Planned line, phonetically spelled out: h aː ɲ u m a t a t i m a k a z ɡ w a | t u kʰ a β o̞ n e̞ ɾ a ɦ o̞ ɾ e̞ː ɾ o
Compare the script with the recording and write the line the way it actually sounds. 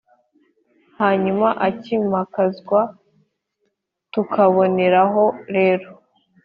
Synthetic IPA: h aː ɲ u m a ʔ a c i m a k a z ɡ w a | t u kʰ a β o̞ n e̞ ɾ a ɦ o̞ ɾ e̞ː ɾ o